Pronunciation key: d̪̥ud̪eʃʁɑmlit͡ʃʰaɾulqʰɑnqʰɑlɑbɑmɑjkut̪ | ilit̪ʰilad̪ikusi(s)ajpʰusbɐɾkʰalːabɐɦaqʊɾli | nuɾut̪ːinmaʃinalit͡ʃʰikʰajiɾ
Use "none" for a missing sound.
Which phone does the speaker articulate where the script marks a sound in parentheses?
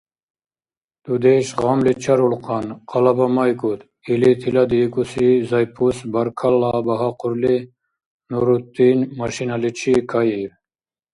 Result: z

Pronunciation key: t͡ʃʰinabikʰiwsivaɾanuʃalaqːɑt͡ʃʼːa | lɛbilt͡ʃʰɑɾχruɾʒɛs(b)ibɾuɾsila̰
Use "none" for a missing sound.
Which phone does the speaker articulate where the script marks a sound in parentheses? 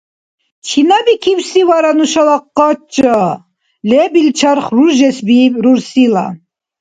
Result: b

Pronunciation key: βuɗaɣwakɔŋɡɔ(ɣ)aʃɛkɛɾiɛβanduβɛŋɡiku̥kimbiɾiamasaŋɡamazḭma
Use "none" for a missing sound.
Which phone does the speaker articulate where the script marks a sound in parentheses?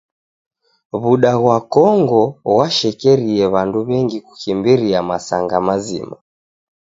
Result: w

